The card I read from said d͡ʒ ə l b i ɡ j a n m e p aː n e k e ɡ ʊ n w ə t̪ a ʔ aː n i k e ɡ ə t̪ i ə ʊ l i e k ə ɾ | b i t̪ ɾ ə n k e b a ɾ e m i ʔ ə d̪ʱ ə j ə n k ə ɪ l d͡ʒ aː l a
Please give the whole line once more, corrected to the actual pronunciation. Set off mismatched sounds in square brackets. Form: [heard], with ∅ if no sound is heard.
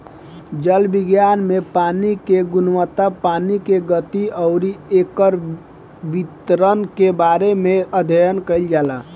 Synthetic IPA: d͡ʒ ə l b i ɡ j a n m e p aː n [i] k e ɡ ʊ n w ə t̪ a [p] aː n i k e ɡ ə t̪ i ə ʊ [ɾ] i e k ə ɾ | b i t̪ ɾ ə n k e b a ɾ e m [e] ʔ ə d̪ʱ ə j ə n k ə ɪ l d͡ʒ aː l a